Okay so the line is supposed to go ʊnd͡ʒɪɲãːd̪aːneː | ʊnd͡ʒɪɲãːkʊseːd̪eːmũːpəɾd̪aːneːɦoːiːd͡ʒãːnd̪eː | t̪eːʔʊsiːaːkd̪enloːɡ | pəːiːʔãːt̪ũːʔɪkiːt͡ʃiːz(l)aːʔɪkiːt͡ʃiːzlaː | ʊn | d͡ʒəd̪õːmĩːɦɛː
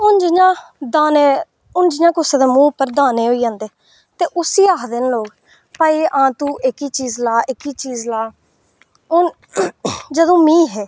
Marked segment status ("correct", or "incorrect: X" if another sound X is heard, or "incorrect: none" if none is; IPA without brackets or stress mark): correct